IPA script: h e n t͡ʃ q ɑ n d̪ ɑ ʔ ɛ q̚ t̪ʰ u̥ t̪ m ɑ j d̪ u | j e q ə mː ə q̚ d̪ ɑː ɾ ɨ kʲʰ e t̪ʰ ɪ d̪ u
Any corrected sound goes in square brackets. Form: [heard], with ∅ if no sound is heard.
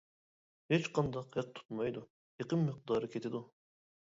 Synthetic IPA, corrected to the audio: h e [∅] t͡ʃ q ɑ n d̪ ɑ [q] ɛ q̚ t̪ʰ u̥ t̪ m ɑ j d̪ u | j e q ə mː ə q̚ d̪ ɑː ɾ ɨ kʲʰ e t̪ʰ ɪ d̪ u